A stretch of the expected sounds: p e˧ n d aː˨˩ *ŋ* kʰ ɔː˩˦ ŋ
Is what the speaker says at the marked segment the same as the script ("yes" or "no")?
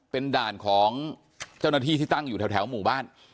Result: no